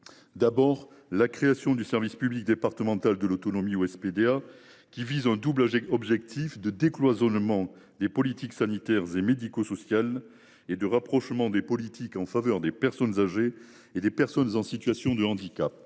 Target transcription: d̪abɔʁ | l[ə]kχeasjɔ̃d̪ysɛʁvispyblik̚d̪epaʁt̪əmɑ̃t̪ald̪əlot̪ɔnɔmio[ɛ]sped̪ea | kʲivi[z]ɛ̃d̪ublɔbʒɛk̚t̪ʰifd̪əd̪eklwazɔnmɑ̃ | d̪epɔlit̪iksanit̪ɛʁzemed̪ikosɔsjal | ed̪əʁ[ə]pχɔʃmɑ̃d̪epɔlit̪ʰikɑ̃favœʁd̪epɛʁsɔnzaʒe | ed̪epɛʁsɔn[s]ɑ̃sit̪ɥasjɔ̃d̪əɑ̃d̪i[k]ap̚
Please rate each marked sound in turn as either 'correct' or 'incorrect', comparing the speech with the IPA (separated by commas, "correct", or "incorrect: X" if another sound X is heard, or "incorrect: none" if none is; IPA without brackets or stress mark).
incorrect: a, correct, correct, incorrect: a, incorrect: z, correct